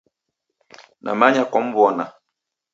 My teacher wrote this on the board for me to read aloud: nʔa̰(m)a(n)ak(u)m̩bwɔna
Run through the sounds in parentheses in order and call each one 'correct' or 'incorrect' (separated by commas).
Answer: correct, incorrect, incorrect